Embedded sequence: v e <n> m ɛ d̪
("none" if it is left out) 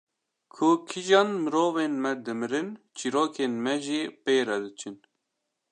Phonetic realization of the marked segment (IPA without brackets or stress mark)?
n